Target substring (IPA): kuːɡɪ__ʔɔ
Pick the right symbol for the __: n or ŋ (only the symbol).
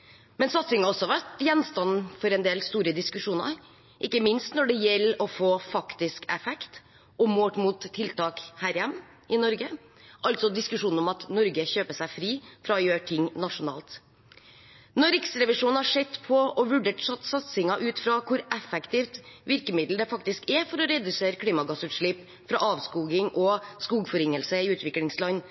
ŋ